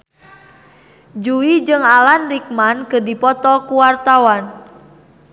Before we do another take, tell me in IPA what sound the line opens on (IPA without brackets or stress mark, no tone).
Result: d͡ʒ